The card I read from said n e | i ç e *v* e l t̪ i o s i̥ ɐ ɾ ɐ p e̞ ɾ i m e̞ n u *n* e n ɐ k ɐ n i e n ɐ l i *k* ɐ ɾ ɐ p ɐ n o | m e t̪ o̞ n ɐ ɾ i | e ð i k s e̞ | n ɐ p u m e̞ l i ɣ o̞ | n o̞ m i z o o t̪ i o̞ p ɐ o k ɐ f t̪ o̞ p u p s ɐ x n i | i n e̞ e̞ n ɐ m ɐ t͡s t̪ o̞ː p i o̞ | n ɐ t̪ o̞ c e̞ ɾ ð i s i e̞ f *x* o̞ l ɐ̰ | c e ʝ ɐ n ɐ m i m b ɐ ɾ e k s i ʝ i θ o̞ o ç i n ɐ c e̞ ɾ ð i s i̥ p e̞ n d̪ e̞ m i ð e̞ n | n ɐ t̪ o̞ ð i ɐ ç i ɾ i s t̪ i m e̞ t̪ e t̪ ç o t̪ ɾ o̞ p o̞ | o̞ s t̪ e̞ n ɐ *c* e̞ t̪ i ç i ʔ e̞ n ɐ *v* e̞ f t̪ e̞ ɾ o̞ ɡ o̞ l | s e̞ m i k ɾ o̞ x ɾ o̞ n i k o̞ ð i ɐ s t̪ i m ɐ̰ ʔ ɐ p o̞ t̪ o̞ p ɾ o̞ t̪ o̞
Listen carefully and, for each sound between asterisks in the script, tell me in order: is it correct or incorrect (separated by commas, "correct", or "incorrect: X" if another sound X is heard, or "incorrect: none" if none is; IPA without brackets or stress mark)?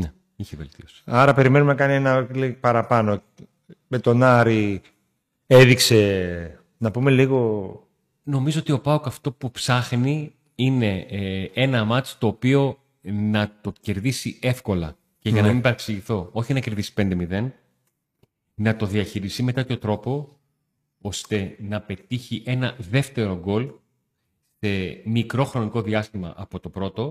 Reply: correct, incorrect: m, incorrect: p, incorrect: k, incorrect: p, incorrect: ð